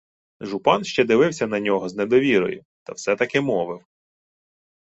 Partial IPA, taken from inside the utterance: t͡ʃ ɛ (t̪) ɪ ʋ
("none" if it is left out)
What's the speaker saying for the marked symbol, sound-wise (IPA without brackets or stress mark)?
d̪